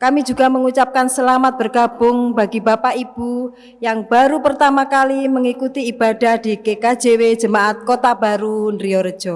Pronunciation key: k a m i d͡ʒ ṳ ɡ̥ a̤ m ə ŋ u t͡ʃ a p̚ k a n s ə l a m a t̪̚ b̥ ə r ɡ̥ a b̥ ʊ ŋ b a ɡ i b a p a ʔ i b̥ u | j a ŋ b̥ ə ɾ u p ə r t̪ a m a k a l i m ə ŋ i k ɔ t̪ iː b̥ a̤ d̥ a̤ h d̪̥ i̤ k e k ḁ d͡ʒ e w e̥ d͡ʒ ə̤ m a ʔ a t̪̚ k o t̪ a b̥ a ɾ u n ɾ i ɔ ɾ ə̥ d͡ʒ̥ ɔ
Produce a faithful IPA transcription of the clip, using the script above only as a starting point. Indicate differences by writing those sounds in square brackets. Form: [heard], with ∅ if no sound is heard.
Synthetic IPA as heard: k a m i d͡ʒ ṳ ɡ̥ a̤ m ə ŋ u t͡ʃ a p̚ k a n s ə l a m a t̪̚ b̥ ə r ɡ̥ a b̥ ʊ ŋ b a ɡ i b a p a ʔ i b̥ u | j a ŋ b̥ [a] ɾ u p ə r t̪ a m a k a l i m ə ŋ i k [u] t̪ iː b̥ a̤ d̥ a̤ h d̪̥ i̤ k e k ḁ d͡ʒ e w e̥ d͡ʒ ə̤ m a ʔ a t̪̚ k o t̪ a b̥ a ɾ u n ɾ i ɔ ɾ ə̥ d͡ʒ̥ ɔ